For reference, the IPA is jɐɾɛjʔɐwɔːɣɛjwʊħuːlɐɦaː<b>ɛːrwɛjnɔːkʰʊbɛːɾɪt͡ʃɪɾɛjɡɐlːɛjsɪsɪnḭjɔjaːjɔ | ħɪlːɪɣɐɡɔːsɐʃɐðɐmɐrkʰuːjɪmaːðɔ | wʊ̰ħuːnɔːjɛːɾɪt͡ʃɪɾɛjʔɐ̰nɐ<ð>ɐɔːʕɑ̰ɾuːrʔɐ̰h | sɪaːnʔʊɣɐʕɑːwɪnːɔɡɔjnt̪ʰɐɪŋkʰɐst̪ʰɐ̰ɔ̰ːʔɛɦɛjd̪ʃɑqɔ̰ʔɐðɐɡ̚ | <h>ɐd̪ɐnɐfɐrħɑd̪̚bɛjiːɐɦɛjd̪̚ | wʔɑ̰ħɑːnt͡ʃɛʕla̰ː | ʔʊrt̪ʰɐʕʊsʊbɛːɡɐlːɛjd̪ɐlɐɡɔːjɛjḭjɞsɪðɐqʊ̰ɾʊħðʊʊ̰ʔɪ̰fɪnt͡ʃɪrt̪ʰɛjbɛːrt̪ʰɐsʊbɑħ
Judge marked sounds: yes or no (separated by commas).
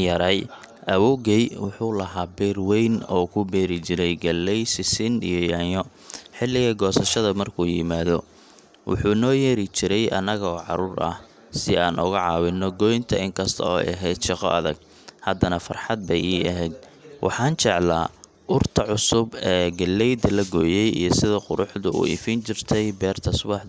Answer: yes, no, yes